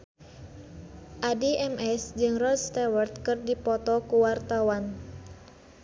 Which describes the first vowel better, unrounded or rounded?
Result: unrounded